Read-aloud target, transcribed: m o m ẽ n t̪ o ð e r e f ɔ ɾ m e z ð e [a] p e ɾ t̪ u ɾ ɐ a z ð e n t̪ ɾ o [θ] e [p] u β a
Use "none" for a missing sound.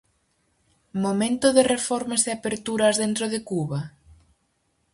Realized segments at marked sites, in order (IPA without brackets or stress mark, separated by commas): a, ð, k